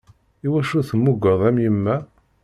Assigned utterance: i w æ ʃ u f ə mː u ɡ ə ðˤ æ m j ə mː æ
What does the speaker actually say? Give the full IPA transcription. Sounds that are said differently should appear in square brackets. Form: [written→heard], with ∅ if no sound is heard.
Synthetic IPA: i w æ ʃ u [f→θ] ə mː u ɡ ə ðˤ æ m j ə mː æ

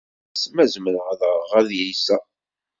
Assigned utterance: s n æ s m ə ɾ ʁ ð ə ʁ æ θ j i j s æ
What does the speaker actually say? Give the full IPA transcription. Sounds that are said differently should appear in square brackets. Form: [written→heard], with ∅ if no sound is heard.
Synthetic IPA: s [n→m] æ [s→z] m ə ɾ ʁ ð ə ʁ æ [θ→ð] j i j s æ

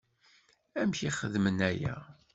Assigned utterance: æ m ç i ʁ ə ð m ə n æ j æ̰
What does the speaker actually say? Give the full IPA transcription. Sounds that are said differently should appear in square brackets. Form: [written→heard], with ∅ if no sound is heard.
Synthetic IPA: æ m ç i [ʁ→χ] ə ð m ə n æ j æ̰

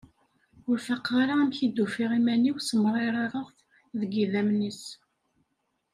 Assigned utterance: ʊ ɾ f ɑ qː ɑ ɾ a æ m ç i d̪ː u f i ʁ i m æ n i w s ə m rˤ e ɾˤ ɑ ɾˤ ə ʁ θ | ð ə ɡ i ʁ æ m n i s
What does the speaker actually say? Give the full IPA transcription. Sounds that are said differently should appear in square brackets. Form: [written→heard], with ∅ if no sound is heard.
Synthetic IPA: ʊ ɾ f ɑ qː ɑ ɾ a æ m ç i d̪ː u f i ʁ i m æ n i w s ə m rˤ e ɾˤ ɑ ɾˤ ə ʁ θ | ð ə ɡ i [ʁ→ð] æ m n i s

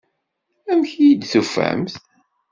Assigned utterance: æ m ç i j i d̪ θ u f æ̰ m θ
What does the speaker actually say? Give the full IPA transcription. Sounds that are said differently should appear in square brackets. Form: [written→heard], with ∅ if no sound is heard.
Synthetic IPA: æ m ç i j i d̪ θ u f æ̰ m θ

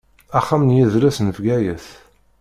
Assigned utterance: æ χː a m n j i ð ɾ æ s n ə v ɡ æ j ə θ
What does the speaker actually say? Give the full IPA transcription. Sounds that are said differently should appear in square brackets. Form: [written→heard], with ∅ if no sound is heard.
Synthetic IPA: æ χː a m n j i ð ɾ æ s n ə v ɡ æ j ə θ

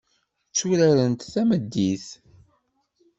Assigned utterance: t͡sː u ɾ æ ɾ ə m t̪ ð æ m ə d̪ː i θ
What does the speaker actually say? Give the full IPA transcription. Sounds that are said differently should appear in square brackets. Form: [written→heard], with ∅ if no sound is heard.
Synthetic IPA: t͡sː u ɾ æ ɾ ə [m→n] t̪ [ð→θ] æ m ə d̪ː i θ

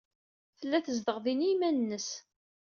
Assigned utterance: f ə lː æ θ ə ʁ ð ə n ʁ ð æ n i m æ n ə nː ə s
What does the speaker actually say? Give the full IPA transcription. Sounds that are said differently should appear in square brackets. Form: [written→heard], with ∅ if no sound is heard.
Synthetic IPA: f ə lː æ θ ə [ʁ→z] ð ə [n→∅] ʁ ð [æ→i] n i m æ n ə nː ə s

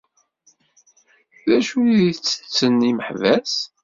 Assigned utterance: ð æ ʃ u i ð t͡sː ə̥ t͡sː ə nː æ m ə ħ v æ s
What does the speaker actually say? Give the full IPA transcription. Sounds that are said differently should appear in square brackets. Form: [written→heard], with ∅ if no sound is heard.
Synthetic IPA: ð æ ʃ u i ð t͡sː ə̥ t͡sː ə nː [æ→i] m ə ħ v æ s

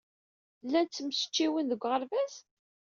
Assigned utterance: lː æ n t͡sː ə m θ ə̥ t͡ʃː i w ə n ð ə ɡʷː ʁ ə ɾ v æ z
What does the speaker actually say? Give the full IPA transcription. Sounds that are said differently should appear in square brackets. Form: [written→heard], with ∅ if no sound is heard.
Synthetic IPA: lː æ n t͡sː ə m [θ→s] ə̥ t͡ʃː i w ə n ð ə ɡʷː ʁ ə ɾ v æ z

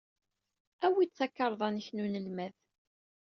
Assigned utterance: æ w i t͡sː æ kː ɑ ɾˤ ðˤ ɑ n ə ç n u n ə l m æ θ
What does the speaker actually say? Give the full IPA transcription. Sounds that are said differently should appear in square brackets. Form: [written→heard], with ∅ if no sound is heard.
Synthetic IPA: æ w i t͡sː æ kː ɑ ɾˤ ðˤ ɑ n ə ç n u n ə l m æ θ

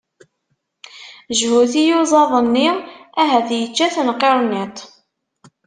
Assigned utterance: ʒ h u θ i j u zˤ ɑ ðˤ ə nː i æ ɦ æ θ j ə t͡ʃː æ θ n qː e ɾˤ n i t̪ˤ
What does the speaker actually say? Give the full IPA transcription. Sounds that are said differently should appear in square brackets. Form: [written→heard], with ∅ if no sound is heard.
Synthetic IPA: ʒ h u θ i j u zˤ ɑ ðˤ ə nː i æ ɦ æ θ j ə t͡ʃː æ θ n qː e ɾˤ n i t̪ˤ

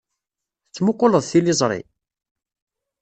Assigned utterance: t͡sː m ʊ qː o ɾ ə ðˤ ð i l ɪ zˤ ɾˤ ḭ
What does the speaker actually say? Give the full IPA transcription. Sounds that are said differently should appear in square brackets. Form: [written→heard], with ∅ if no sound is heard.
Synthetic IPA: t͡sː m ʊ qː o [ɾ→l] ə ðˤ [ð→θ] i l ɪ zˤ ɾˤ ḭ

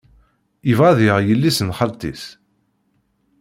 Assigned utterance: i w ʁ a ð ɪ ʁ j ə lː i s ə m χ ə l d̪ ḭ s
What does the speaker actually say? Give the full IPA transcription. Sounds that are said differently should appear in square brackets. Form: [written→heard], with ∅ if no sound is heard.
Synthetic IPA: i [w→v] ʁ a ð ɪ ʁ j ə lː i s ə [m→n] χ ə l [d̪→t̪] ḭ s

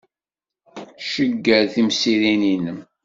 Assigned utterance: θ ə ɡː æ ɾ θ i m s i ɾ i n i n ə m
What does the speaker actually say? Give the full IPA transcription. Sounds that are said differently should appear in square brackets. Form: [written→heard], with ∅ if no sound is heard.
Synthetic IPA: [θ→ʃ] ə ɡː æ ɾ θ i m s i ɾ i n i n ə m

